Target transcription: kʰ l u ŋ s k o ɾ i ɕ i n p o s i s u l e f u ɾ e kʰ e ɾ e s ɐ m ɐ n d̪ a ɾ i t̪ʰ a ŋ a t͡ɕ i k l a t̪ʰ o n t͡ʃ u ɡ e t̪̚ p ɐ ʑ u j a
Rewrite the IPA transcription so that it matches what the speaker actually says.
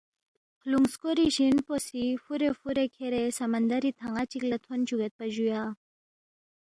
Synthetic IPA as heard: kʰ l u ŋ s k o ɾ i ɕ i n p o s i f u ɾ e f u ɾ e kʰ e ɾ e s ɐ m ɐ n d̪ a ɾ i t̪ʰ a ŋ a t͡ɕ i k l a t̪ʰ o n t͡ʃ u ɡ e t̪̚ p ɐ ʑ u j a